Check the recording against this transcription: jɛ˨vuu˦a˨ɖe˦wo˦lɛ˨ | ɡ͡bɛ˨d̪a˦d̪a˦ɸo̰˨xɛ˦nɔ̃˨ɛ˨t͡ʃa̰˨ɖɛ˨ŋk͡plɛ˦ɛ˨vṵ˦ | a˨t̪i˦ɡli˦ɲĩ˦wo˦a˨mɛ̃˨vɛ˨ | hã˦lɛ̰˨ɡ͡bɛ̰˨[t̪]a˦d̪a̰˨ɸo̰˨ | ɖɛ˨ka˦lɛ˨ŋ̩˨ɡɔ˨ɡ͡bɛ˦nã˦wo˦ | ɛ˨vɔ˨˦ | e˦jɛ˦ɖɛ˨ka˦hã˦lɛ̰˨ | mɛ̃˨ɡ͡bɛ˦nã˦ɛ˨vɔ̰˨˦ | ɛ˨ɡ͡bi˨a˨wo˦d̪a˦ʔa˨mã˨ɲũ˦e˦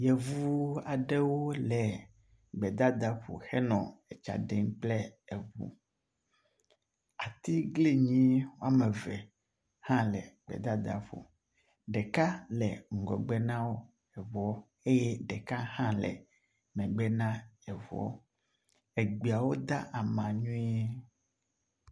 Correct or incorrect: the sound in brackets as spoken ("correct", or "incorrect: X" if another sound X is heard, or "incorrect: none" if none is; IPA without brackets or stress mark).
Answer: incorrect: d̪